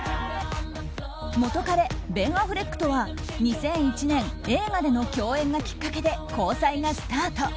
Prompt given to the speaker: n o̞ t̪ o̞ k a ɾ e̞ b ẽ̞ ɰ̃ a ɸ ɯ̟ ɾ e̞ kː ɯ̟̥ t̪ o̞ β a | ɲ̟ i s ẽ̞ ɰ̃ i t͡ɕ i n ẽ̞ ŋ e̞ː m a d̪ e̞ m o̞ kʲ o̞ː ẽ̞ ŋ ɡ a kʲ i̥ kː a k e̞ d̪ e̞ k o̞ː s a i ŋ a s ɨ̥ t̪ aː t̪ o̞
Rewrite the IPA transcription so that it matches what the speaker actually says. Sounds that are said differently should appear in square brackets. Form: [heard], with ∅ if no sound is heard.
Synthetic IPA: [m] o̞ t̪ o̞ k a ɾ e̞ b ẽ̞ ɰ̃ a ɸ ɯ̟ ɾ e̞ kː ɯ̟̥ t̪ o̞ β a | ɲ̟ i s ẽ̞ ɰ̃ i t͡ɕ i n ẽ̞ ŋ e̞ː m a d̪ e̞ [n] o̞ kʲ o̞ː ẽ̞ ŋ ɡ a kʲ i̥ kː a k e̞ d̪ e̞ k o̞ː s a i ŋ a s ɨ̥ t̪ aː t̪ o̞